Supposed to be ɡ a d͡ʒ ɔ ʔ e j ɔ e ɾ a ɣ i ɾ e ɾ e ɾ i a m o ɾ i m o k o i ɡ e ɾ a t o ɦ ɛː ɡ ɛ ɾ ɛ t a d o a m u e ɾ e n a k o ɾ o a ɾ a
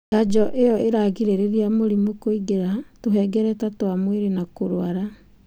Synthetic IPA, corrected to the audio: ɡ a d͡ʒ ɔ ʔ e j ɔ e ɾ a ɣ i ɾ e ɾ e ɾ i a m o ɾ i m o k o i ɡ e ɾ a t o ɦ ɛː ɡ ɛ ɾ ɛ t a t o a m w e ɾ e n a k o ɾ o a ɾ a